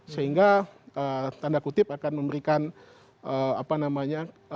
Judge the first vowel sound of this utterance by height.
mid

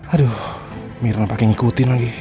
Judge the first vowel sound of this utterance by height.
low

